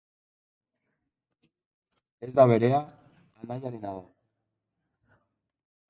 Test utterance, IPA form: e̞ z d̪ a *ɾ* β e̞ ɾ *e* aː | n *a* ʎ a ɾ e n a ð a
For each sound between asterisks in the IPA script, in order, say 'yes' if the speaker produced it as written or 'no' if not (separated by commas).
no, yes, yes